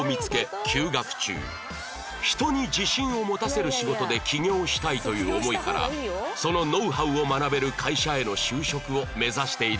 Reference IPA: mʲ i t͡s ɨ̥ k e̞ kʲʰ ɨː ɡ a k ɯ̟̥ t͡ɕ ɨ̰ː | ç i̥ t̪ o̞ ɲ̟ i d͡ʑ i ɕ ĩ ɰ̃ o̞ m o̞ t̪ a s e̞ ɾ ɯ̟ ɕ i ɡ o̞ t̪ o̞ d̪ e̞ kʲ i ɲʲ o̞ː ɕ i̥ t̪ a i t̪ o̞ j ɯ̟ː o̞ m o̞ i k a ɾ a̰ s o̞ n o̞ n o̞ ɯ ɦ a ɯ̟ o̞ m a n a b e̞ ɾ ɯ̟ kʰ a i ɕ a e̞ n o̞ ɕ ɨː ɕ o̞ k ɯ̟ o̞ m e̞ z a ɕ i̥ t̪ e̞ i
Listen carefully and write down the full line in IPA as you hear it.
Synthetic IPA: mʲ i t͡s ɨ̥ k e̞ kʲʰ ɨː ɡ a k ɯ̟̥ t͡ɕ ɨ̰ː | ç i̥ t̪ o̞ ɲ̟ i d͡ʑ i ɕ ĩ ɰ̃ o̞ m o̞ t̪ a s e̞ ɾ ɯ̟ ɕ i ɡ o̞ t̪ o̞ d̪ e̞ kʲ i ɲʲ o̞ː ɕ i̥ t̪ a i t̪ o̞ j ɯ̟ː o̞ m o̞ i k a ɾ a̰ s o̞ n o̞ n o̞ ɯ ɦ a ɯ̟ o̞ m a n a b e̞ ɾ ɯ̟ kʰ a i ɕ a e̞ n o̞ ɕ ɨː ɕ o̞ k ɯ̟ o̞ m e̞ z a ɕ i̥ t̪ e̞ i